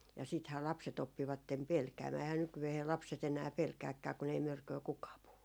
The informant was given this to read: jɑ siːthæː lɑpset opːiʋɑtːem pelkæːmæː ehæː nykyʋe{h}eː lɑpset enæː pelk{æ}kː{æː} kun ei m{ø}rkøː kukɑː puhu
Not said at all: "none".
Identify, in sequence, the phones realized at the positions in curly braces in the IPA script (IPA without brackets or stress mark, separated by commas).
h, æː, æː, ø